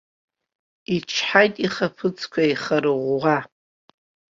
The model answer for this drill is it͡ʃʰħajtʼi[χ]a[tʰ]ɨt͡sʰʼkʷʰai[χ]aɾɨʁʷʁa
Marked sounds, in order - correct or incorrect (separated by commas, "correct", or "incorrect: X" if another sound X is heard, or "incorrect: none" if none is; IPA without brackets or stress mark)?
correct, incorrect: pʰ, correct